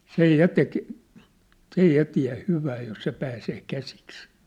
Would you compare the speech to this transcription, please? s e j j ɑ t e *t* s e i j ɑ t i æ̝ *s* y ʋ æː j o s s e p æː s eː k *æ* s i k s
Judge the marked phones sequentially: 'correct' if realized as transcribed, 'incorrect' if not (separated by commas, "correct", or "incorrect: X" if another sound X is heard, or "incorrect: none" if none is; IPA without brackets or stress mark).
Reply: incorrect: k, incorrect: h, correct